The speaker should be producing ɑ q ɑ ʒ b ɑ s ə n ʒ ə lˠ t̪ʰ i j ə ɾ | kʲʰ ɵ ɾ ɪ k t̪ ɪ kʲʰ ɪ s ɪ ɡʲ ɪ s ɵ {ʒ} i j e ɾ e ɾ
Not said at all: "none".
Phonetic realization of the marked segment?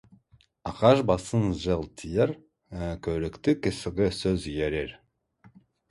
z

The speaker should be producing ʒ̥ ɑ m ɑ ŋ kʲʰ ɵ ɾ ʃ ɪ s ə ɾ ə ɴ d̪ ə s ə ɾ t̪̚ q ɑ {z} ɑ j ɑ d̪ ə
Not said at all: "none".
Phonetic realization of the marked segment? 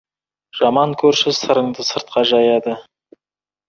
ʒ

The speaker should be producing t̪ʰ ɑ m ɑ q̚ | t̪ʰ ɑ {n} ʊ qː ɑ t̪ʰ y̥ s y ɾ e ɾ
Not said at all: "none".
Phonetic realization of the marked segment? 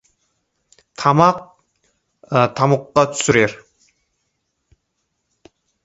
m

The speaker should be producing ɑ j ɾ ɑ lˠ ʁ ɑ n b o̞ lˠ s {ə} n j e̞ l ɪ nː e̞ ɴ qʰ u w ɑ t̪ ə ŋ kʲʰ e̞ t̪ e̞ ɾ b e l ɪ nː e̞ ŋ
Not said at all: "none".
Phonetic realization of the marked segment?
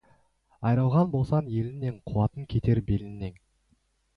ɑ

